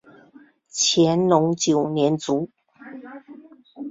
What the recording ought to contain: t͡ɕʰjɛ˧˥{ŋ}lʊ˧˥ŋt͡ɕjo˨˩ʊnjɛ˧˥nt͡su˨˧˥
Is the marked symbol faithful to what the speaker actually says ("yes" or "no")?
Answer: no